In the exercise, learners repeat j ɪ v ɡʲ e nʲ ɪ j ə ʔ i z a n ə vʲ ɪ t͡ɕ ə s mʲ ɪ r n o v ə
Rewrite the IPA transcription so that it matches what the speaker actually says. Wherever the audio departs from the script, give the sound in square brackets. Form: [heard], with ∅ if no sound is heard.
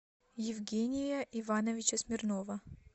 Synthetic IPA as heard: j ɪ v ɡʲ e nʲ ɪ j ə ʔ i [v] a n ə vʲ ɪ t͡ɕ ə s mʲ ɪ r n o v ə